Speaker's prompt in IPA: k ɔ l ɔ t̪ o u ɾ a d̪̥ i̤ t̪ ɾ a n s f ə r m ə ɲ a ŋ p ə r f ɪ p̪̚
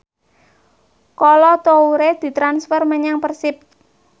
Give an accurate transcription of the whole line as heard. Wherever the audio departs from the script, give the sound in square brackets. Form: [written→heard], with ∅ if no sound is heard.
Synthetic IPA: k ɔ l ɔ t̪ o u ɾ [a→e] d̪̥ i̤ t̪ ɾ a n s f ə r m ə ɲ a ŋ p ə r [f→s] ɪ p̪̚